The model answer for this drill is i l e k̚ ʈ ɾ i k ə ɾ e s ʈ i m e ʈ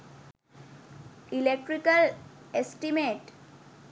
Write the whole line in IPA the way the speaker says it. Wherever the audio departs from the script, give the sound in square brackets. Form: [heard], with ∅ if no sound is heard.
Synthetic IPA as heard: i l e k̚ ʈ ɾ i k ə [l] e s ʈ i m e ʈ